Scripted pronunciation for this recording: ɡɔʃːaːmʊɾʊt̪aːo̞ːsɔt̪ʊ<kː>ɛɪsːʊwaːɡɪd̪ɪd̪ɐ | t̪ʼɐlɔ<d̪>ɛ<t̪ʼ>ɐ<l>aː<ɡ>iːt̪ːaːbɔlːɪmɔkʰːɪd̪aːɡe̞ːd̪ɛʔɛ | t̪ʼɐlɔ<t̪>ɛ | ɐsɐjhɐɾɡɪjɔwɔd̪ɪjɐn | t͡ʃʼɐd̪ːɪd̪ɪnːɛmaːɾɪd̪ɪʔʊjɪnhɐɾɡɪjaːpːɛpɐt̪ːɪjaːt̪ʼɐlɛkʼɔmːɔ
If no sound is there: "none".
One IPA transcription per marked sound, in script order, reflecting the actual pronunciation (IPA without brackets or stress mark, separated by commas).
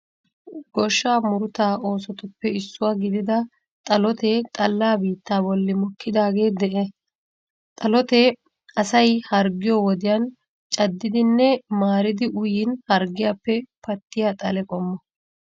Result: pː, t̪, t̪ʼ, lː, b, t̪